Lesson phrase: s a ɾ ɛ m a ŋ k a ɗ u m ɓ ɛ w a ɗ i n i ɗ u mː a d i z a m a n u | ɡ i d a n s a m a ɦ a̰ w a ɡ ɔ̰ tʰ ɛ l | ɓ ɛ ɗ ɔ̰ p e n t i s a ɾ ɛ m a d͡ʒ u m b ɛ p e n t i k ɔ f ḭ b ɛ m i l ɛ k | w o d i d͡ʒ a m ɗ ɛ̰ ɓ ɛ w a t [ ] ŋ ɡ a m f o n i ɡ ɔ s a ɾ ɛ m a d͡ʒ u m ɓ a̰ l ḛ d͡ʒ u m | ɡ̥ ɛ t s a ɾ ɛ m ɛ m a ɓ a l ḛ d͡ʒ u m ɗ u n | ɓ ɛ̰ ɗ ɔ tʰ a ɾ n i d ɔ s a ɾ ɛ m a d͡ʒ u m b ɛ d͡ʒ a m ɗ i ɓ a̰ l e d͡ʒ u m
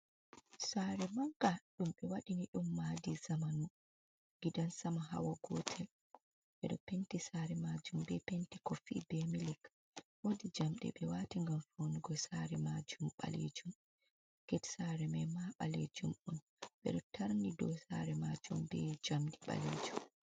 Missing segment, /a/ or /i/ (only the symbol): i